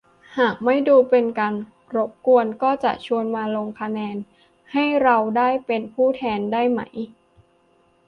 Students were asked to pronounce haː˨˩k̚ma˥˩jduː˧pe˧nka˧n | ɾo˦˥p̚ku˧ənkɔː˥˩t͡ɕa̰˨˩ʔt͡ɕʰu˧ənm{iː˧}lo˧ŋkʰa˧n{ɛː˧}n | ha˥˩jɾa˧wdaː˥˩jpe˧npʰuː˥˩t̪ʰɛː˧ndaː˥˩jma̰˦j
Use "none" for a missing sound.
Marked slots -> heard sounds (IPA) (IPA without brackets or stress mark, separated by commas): aː˧, ɛː˧